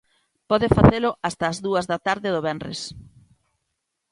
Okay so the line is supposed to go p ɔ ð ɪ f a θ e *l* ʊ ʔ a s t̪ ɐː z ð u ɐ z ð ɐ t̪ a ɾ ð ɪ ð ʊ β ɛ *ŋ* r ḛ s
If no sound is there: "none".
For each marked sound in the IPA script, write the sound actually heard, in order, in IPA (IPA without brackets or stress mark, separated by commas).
l, n